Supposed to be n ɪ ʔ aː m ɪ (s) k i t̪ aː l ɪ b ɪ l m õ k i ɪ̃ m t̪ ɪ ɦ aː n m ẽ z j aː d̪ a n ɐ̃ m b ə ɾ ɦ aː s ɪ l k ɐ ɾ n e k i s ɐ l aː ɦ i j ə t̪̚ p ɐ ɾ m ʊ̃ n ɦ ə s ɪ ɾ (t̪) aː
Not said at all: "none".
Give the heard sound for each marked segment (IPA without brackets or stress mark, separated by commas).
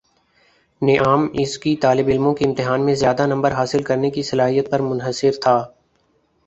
s, t̪ʰ